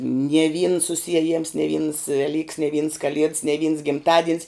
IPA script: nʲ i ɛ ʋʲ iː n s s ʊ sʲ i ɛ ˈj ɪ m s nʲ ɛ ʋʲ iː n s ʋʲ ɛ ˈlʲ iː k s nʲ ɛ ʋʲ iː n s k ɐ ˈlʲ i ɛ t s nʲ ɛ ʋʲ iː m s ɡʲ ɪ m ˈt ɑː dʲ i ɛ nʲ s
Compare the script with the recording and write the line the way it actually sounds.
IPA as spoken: nʲ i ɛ ʋʲ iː n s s ʊ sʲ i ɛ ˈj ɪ m s nʲ ɛ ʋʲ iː n s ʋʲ ɛ ˈlʲ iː k s nʲ ɛ ʋʲ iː n s k ɐ ˈlʲ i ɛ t s nʲ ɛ ʋʲ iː n s ɡʲ ɪ m ˈt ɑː dʲ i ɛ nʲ s